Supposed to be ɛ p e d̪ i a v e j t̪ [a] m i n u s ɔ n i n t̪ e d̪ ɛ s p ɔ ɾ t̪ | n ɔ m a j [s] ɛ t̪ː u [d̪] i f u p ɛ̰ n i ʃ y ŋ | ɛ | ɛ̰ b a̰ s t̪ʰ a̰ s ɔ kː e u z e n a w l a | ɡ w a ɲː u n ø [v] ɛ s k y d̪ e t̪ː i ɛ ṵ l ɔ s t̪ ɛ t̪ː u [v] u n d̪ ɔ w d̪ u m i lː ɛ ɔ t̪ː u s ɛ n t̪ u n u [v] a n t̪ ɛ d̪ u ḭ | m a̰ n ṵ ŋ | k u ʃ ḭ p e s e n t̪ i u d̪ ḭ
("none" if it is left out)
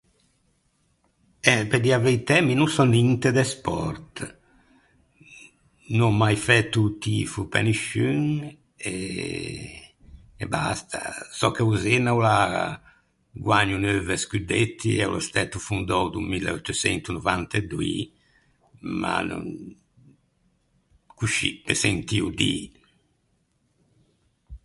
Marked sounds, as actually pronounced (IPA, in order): ɛ, f, t̪, v, f, v

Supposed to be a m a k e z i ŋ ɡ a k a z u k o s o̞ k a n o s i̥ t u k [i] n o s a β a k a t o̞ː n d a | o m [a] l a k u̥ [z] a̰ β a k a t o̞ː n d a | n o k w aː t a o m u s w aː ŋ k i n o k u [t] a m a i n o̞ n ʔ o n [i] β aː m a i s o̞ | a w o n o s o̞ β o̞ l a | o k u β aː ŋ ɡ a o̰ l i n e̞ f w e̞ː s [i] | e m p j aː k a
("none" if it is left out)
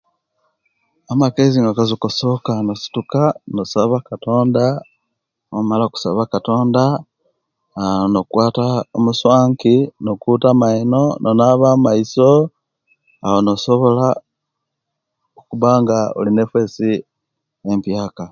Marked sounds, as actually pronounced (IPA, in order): a, a, s, t, a, i

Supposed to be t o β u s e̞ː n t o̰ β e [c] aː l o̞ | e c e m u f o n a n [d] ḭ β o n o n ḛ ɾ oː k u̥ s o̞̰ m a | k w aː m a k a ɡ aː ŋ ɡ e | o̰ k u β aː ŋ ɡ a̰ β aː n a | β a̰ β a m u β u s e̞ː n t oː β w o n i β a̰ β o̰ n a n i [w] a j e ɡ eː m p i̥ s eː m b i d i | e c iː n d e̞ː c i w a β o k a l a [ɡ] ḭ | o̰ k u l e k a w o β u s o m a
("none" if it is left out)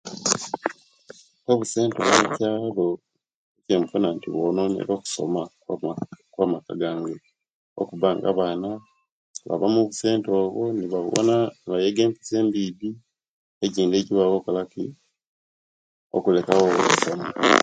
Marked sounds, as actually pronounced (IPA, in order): c, t, β, k

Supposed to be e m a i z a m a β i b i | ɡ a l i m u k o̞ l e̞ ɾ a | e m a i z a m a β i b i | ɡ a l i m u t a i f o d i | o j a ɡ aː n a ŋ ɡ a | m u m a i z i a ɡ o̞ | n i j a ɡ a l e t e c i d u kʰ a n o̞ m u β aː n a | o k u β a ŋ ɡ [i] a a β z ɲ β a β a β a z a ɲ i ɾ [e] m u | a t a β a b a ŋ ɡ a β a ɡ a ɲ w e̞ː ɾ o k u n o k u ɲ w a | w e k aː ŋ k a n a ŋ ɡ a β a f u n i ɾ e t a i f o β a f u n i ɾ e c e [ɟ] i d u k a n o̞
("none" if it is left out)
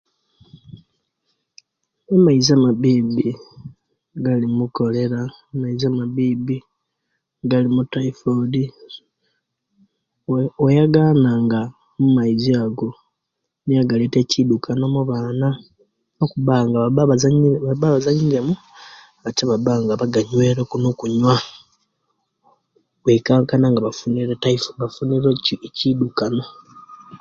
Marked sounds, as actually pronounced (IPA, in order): a, e, c

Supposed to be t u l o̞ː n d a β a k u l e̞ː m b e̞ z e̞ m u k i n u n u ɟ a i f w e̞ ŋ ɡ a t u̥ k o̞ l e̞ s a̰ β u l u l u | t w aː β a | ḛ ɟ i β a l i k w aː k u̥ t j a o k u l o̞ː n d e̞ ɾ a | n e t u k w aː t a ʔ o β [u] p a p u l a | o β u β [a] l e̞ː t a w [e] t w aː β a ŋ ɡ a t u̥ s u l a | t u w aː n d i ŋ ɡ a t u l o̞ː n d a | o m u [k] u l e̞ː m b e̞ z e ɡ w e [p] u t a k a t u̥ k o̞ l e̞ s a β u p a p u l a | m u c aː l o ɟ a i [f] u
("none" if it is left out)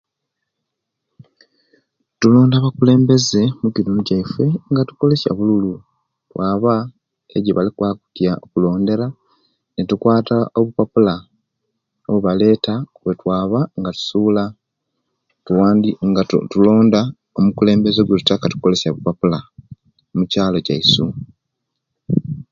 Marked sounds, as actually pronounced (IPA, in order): u, a, e, k, t, s

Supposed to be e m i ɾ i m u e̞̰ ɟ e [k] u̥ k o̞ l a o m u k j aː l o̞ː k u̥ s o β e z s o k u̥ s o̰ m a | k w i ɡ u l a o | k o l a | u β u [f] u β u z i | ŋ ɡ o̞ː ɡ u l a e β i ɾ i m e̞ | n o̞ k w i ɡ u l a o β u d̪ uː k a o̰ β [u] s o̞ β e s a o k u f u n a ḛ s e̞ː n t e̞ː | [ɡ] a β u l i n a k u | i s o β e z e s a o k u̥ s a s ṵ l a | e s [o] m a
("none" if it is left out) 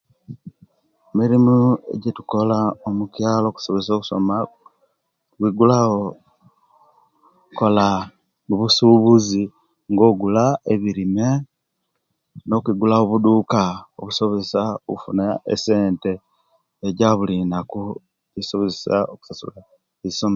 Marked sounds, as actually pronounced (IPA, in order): t, s, u, ɟ, o

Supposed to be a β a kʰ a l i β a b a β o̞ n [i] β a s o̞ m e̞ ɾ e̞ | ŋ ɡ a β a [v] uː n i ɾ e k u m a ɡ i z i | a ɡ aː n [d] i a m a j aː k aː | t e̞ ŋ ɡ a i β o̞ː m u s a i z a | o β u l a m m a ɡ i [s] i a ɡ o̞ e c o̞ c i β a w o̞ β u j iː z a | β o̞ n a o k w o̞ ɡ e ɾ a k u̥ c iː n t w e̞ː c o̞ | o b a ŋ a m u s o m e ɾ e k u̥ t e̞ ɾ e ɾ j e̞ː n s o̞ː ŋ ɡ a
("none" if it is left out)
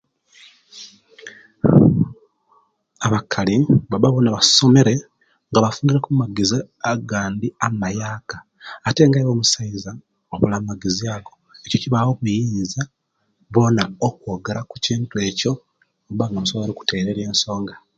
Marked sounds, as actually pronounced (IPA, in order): a, f, d, z

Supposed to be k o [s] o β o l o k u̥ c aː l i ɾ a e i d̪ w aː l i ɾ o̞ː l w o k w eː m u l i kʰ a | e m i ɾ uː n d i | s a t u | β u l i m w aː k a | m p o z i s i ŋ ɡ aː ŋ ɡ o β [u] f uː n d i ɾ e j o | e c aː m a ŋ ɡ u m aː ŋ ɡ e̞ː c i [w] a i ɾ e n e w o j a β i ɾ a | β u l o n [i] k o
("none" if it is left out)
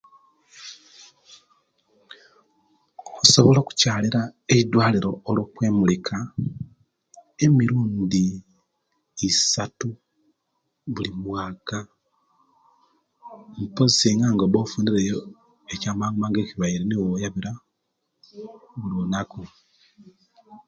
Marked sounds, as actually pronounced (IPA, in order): s, o, β, a

